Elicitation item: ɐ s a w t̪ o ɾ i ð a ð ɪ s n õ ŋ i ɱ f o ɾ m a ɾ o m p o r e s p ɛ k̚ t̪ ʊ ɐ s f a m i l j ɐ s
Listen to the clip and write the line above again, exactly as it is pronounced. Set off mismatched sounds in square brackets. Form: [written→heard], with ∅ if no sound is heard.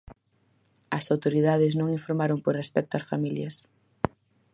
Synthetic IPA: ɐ s a w t̪ o ɾ i ð a ð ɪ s n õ ŋ i ɱ f o ɾ m a ɾ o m p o r e s p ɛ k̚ t̪ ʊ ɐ s f a m i l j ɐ s